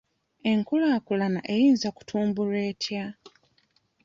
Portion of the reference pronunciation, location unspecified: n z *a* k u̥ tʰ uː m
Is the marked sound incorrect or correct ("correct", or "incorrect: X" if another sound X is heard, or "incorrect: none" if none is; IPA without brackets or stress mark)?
correct